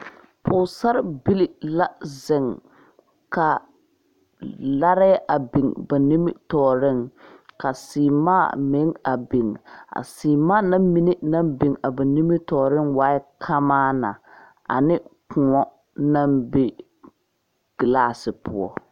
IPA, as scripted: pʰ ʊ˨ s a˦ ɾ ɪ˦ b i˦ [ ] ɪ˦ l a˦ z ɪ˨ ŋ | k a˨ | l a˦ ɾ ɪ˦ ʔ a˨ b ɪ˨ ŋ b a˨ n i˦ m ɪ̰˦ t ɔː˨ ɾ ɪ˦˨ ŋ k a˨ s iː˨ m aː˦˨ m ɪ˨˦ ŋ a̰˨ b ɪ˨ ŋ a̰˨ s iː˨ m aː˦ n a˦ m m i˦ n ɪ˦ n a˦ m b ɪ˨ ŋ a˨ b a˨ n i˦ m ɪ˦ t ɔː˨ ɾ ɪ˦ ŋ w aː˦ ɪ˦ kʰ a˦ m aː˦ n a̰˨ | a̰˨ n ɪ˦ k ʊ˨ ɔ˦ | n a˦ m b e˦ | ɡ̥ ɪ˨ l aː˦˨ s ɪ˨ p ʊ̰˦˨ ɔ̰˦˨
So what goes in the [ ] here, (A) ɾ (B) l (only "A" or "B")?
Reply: B